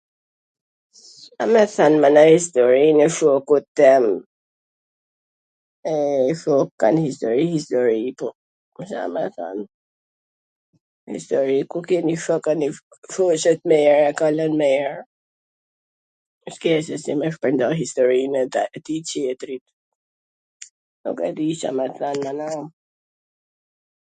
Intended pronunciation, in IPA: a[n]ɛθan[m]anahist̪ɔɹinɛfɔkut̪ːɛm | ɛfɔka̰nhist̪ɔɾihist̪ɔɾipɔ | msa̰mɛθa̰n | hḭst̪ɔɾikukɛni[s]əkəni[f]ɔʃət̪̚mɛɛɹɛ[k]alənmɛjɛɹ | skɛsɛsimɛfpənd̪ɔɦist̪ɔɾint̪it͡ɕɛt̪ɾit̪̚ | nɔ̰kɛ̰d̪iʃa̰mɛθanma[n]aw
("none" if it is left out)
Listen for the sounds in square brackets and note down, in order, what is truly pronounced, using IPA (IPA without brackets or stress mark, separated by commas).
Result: m, m, f, f, k, n